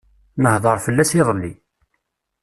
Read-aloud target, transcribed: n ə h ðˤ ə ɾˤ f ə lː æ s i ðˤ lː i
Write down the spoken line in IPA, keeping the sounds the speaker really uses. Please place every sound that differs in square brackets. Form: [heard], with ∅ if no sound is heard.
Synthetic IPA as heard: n ə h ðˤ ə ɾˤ f ə lː æ s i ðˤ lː i